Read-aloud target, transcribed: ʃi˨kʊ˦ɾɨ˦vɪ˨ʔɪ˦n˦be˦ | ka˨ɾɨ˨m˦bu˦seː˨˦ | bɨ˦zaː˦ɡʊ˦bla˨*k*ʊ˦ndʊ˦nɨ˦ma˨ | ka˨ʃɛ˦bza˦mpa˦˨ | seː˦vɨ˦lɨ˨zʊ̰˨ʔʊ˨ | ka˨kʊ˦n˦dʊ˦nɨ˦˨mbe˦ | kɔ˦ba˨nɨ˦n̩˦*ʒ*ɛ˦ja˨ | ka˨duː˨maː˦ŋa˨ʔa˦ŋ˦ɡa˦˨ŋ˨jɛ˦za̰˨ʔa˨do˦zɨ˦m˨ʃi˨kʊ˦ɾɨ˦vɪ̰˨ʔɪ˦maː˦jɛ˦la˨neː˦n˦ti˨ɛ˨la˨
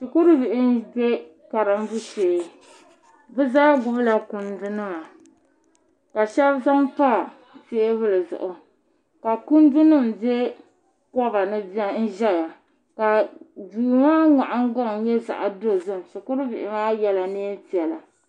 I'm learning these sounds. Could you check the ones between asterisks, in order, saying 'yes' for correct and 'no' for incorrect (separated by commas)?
yes, yes